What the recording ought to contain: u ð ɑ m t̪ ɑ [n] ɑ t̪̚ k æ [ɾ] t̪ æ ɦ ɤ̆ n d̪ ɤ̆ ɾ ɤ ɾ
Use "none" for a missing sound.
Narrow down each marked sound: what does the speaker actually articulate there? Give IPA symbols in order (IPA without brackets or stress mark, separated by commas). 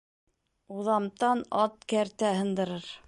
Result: n, ɾ